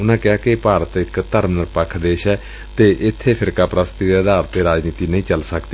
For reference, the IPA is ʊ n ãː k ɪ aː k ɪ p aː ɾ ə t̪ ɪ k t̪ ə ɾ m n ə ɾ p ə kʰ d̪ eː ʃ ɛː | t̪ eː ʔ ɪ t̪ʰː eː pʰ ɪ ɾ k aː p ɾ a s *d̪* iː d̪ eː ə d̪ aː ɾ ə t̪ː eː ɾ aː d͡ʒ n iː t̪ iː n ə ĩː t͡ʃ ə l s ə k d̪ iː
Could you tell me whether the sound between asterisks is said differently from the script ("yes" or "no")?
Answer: yes